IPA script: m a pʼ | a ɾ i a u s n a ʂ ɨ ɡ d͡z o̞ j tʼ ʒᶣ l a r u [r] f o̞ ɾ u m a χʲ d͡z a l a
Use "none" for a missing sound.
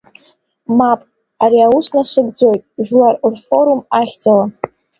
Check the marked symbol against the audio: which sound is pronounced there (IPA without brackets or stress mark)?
r